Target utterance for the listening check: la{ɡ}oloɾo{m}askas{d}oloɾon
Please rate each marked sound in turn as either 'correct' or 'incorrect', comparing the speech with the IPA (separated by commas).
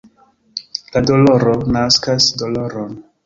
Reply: incorrect, incorrect, correct